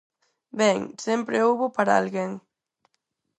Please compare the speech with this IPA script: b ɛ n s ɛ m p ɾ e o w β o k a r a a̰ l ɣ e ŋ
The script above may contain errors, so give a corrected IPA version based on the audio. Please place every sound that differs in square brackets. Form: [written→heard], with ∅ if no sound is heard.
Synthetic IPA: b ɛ [n→ŋ] s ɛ m p ɾ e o w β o [k→p] a [r→ɾ] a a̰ l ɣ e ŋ